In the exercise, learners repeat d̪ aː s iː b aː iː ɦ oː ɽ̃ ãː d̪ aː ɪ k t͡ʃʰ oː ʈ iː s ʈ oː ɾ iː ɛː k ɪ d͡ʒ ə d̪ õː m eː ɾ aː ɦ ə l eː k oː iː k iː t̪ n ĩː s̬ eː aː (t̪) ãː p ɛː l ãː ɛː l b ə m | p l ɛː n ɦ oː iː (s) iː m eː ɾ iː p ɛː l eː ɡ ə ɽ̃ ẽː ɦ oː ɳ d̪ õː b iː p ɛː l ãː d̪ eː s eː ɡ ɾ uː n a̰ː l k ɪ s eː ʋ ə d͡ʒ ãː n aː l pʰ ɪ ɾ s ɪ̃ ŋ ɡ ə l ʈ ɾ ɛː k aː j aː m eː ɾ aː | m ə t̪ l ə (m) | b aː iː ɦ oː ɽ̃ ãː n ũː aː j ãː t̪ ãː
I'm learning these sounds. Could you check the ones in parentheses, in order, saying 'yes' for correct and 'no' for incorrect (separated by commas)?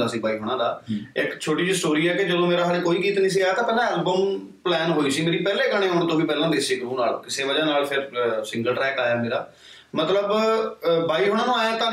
yes, yes, no